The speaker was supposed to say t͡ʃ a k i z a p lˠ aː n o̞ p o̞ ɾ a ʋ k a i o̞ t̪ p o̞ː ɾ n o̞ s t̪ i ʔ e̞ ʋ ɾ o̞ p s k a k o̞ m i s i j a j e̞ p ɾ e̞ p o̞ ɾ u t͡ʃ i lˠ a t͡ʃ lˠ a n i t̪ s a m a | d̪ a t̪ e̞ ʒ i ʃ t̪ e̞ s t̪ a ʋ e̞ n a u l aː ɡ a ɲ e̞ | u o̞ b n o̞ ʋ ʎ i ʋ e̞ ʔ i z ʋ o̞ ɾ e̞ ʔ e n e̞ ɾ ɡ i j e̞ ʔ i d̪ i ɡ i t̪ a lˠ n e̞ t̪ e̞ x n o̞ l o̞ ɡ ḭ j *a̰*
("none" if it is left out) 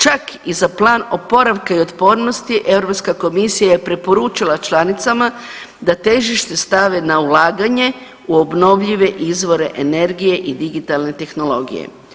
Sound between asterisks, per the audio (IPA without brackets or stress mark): ḛ